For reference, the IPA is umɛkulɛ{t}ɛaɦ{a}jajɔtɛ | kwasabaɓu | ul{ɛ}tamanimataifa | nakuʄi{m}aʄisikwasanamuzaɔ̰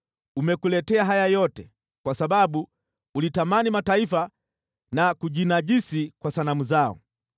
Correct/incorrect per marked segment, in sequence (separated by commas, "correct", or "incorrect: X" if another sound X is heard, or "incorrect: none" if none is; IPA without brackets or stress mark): correct, correct, incorrect: i, incorrect: n